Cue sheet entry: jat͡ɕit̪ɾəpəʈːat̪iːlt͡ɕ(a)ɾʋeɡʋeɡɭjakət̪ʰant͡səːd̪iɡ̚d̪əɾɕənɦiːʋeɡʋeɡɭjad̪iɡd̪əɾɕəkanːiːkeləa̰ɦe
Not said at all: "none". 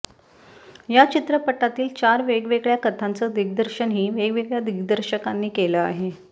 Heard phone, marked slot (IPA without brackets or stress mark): a